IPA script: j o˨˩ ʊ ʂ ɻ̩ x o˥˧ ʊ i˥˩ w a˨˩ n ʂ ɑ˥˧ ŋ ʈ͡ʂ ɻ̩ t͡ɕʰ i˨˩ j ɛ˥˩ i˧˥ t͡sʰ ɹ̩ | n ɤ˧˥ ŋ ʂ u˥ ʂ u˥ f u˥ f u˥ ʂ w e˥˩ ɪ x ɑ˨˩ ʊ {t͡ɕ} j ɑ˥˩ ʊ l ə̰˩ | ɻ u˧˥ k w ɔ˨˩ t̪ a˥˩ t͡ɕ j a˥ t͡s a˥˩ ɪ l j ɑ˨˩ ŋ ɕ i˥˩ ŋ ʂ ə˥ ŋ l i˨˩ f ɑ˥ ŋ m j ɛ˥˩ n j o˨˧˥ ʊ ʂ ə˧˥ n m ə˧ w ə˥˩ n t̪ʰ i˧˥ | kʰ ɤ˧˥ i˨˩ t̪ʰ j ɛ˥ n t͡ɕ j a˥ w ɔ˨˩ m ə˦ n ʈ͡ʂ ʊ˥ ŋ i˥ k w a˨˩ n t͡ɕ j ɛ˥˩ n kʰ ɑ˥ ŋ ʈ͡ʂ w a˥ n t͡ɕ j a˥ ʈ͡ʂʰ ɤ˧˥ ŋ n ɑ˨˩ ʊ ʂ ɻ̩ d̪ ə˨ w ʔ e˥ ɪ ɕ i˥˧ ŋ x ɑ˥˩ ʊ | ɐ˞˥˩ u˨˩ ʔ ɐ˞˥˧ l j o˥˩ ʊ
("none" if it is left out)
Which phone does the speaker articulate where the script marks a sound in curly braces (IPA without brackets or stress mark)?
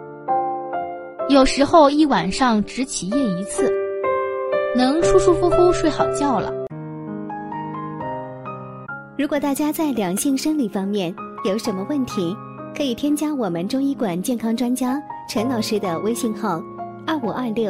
t͡ɕ